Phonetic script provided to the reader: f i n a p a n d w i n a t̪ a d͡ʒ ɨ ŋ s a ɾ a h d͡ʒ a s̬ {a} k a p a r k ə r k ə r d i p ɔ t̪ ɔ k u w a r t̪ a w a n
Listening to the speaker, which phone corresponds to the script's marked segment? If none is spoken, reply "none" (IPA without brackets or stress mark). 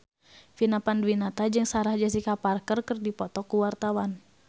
i